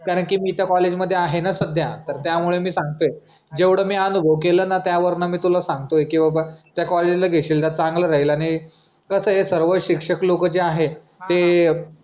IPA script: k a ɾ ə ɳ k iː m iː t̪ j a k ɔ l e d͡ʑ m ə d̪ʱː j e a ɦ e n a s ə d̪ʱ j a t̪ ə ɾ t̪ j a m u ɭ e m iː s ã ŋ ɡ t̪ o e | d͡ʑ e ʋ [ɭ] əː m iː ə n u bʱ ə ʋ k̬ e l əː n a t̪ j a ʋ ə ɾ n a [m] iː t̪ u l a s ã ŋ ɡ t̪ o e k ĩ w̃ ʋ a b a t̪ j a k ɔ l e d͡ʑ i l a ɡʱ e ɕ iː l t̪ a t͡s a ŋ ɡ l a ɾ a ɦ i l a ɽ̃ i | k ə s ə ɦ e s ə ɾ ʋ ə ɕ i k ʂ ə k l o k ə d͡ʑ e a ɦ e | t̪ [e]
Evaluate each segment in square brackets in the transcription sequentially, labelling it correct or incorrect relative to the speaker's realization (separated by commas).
incorrect, correct, correct